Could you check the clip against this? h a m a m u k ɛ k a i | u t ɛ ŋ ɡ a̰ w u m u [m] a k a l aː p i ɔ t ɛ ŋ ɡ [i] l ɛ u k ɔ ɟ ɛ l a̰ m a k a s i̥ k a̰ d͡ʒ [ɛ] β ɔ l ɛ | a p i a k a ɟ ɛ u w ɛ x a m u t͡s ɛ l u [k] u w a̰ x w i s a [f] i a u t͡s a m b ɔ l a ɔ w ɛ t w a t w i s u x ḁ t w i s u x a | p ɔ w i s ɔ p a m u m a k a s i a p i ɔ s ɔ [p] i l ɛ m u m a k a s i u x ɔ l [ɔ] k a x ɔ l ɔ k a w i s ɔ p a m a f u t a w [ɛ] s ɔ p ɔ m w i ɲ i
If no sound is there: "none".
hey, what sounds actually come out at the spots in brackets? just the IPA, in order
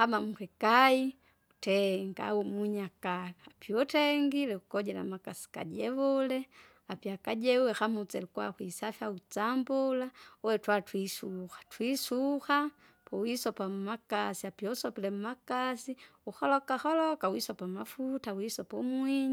ɲ, i, ɛ, k, f, p, ɔ, i

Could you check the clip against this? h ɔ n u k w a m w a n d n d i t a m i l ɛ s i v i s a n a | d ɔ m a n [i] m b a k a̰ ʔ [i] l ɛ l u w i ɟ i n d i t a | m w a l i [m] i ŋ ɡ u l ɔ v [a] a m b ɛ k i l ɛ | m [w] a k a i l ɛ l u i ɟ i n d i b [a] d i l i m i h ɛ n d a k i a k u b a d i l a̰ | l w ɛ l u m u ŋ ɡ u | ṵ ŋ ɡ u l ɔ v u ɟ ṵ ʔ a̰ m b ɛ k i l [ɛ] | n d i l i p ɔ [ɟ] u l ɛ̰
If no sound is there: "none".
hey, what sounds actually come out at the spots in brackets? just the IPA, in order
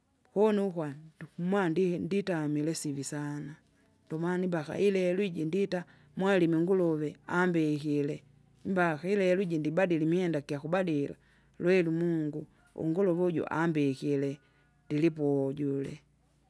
i, i, m, ɛ, b, a, ɛ, ɟ

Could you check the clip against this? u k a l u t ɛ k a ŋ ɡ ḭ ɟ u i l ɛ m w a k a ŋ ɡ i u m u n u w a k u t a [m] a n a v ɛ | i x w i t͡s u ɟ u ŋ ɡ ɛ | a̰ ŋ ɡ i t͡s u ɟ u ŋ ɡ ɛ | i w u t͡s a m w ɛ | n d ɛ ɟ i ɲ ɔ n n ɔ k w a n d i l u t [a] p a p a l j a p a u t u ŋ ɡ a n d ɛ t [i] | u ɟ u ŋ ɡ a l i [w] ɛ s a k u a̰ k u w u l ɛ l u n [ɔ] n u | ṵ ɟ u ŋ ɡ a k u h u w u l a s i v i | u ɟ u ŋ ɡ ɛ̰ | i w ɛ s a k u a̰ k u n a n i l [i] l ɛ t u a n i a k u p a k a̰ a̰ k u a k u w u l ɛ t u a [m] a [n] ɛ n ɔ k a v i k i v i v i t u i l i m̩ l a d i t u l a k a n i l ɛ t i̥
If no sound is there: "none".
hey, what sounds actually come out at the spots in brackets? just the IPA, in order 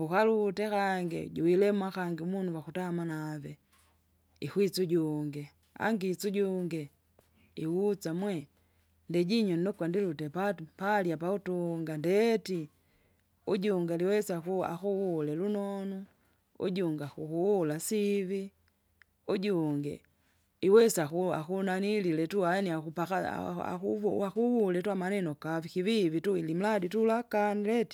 m, ɛ, i, w, ɔ, i, m, n

